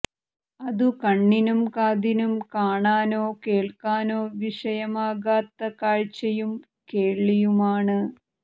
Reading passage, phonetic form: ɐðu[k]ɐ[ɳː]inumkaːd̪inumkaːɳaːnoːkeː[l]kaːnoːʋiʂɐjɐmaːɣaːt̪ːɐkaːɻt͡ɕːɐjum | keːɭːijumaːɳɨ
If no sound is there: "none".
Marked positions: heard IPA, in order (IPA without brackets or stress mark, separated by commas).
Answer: k, ɳː, ɭ